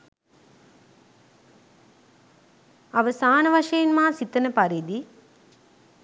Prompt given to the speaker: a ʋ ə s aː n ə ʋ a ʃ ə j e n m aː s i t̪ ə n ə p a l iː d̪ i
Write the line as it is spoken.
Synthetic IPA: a ʋ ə s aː n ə ʋ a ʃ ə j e n m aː s i t̪ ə n ə p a ɾ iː d̪ i